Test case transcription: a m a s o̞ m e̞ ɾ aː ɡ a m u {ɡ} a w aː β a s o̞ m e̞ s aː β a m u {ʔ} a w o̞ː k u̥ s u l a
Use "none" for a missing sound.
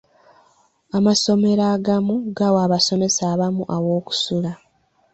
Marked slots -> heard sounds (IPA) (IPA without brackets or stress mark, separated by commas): ɡ, ʔ